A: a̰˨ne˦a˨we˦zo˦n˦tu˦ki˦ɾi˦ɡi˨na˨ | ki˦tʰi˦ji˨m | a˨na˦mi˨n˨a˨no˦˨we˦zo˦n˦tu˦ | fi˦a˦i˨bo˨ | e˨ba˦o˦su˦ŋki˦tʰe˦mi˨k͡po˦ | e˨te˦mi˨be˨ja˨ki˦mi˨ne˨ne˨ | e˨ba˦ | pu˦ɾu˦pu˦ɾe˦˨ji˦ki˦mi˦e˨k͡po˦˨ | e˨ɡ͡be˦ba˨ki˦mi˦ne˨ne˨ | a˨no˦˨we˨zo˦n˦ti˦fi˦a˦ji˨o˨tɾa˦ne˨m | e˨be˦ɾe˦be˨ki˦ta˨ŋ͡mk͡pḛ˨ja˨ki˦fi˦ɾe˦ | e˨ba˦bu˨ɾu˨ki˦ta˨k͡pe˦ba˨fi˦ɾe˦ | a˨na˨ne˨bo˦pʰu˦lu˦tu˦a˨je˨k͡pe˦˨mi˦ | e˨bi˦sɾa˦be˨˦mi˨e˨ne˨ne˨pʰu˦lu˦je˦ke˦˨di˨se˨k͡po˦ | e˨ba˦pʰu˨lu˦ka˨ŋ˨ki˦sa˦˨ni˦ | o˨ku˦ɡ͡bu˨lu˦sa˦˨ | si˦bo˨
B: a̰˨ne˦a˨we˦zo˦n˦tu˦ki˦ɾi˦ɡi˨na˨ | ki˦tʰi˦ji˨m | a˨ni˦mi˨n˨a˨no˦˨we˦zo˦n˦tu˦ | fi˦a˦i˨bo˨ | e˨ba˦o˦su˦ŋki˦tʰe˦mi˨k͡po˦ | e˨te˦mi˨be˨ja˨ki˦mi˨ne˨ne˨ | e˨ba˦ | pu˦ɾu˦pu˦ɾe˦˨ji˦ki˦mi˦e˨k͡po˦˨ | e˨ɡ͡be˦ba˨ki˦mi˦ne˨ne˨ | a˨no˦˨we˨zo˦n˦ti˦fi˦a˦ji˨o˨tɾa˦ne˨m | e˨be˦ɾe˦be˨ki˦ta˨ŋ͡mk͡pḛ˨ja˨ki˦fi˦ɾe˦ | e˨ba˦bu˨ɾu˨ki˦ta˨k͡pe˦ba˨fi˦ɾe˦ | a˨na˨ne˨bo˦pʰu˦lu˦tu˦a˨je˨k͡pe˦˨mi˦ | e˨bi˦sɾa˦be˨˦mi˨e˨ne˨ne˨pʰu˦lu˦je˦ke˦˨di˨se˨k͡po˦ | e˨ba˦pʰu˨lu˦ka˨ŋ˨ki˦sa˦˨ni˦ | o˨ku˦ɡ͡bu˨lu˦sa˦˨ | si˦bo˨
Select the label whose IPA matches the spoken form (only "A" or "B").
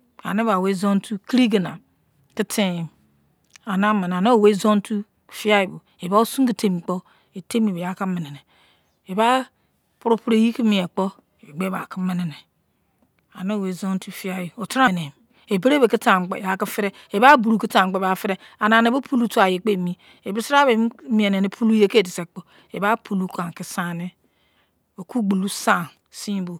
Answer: A